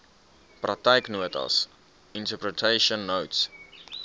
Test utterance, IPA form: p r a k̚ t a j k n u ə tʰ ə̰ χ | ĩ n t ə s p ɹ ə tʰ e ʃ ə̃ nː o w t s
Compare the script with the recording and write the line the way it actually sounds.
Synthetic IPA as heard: p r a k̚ t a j k n u ə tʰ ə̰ s | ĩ n t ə p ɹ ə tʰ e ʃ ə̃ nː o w t s